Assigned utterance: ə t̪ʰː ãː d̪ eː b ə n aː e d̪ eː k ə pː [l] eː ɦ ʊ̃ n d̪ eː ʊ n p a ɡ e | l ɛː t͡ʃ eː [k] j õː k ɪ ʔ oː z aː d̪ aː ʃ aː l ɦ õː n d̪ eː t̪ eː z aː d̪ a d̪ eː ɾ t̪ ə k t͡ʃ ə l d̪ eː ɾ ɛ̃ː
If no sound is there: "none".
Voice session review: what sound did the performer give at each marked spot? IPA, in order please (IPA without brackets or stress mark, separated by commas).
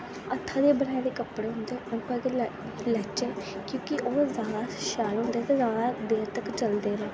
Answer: ɽ, k